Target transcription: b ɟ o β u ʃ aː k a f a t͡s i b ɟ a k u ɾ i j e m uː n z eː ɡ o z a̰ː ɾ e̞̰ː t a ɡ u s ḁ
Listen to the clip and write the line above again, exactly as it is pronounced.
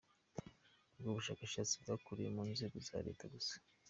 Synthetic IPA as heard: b ɡ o β u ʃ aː k a ʃ a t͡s i b ɡ a k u ɾ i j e m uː n z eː ɡ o z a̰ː ɾ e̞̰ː t a ɡ u s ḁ